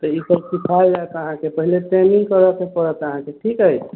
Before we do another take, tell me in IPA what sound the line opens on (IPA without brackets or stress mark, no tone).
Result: t̪